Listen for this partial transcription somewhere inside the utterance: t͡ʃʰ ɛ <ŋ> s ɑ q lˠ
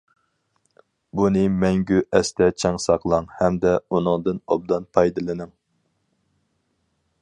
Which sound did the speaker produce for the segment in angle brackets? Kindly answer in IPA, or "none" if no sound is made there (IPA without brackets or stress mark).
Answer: ŋ